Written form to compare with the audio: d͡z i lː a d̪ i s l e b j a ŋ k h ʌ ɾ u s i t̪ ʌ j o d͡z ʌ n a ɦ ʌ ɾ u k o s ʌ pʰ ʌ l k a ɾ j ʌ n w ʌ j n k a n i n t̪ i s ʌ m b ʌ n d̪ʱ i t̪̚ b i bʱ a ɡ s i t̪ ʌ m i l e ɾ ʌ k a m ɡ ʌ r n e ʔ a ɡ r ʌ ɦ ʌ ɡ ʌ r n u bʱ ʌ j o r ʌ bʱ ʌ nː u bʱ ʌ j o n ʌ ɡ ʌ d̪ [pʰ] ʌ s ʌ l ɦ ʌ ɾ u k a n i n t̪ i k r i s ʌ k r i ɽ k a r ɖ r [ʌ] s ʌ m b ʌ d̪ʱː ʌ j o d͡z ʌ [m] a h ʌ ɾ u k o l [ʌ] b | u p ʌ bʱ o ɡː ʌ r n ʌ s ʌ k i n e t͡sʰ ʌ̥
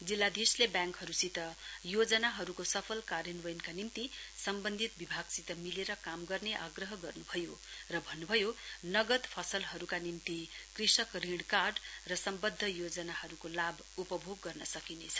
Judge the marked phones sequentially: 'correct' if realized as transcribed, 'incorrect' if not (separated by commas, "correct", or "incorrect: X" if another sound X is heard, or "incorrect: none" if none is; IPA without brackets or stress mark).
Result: correct, correct, incorrect: n, incorrect: a